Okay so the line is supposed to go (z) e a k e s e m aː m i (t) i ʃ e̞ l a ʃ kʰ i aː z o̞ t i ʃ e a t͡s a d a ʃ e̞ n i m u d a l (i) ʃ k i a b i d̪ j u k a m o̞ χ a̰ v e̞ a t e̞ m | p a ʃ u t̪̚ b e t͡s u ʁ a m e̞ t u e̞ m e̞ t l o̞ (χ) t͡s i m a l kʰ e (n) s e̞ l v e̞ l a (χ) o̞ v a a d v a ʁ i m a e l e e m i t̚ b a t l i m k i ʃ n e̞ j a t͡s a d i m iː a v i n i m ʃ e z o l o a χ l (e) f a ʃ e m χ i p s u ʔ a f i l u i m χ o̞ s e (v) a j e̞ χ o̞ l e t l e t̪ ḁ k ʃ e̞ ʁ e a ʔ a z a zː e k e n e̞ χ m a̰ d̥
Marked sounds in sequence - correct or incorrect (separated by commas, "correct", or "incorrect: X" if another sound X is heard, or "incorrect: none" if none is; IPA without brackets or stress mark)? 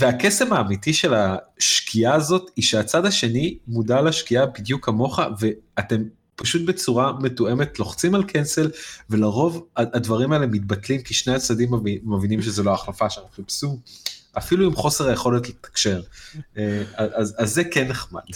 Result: incorrect: v, correct, incorrect: a, correct, correct, incorrect: ʁ, incorrect: a, incorrect: ʁ